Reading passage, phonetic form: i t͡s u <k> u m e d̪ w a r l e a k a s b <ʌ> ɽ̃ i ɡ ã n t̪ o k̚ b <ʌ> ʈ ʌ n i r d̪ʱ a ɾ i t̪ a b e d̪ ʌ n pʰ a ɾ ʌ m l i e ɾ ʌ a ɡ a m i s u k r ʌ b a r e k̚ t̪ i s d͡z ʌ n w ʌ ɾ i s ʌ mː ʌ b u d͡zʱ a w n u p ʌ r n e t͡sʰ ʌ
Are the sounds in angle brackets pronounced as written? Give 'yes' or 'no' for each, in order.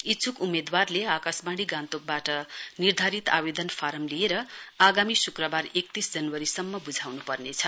yes, no, no

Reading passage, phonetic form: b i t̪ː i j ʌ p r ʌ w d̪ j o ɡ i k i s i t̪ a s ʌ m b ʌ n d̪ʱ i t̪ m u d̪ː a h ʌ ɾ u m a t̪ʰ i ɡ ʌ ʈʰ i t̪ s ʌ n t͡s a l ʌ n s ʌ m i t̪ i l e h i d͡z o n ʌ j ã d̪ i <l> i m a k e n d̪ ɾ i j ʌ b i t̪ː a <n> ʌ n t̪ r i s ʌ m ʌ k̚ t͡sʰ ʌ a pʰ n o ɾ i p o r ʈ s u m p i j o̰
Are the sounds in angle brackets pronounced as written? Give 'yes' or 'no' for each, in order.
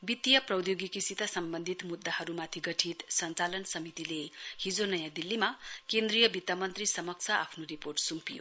no, no

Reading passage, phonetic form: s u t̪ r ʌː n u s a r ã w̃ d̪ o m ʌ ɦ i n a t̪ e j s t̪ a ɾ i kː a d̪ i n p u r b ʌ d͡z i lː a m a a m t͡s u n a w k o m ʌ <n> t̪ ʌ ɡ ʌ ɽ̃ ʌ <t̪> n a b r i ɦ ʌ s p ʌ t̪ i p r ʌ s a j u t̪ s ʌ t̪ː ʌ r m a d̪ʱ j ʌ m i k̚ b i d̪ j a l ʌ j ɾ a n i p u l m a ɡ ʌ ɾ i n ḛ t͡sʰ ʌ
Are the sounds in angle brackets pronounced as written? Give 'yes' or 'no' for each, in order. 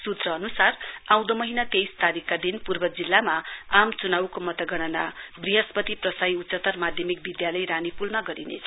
no, no

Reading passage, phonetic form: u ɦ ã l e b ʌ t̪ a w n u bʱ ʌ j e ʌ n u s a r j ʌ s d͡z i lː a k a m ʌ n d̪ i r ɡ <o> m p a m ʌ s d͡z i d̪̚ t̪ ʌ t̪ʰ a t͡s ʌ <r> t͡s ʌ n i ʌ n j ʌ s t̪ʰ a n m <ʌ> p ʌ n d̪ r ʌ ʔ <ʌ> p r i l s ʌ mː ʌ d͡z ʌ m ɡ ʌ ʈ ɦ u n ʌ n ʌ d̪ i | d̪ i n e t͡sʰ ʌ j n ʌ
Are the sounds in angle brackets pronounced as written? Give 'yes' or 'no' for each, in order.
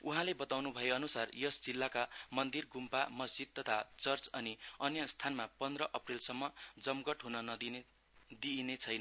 no, yes, no, yes

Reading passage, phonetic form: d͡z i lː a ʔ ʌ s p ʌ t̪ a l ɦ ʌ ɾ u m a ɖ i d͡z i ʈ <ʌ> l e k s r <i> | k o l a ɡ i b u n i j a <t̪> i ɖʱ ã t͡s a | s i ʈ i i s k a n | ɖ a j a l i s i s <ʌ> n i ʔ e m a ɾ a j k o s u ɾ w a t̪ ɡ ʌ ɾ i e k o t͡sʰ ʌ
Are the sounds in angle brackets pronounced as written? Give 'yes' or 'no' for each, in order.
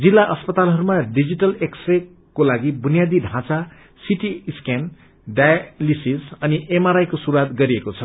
yes, no, no, yes

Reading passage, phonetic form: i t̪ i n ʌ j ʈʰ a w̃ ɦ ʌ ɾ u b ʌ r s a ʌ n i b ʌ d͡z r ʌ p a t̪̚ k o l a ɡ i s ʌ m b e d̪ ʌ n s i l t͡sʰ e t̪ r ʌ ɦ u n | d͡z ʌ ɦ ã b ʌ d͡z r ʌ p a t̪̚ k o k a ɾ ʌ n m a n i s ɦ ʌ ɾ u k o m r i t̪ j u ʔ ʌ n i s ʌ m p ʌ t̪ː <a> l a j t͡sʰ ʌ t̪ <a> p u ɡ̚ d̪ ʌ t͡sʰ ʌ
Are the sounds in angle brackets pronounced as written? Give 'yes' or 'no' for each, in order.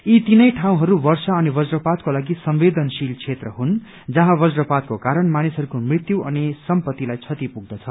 no, no

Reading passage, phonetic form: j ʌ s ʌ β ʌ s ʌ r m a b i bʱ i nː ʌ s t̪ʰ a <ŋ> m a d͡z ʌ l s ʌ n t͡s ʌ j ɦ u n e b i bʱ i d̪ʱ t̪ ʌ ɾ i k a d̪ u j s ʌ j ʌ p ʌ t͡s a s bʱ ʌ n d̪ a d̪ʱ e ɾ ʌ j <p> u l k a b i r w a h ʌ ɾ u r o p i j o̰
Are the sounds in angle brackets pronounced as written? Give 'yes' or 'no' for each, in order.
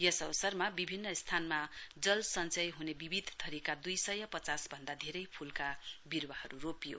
no, no

